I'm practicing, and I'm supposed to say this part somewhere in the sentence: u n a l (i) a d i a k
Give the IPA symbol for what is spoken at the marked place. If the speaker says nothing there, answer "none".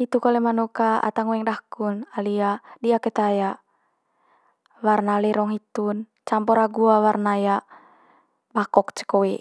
i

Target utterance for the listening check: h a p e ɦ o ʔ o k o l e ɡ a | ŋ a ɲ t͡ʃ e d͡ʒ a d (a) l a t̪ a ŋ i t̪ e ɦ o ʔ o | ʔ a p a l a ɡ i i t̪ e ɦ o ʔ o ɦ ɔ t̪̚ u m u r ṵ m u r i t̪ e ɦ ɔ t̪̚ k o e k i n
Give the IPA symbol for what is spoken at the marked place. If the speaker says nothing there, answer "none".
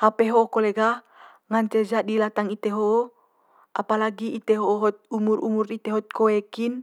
i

